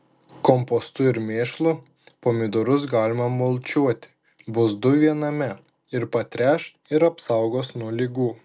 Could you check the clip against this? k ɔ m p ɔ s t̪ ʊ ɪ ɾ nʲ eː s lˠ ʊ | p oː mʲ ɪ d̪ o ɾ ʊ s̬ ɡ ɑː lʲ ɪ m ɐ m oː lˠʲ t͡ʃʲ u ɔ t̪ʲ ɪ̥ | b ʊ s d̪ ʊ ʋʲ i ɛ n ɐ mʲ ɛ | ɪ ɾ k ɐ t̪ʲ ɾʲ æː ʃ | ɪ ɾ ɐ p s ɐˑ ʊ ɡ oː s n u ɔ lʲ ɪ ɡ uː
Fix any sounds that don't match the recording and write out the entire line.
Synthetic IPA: k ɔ m p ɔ s t̪ ʊ ɪ ɾ mʲ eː ʃ lˠ ʊ | p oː mʲ ɪ d̪ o ɾ ʊ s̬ ɡ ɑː lʲ ɪ m ɐ m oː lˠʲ t͡ʃʲ u ɔ t̪ʲ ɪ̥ | b ʊ s d̪ ʊ ʋʲ i ɛ n ɐ mʲ ɛ | ɪ ɾ p ɐ t̪ʲ ɾʲ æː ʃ | ɪ ɾ ɐ p s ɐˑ ʊ ɡ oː s n u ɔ lʲ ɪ ɡ uː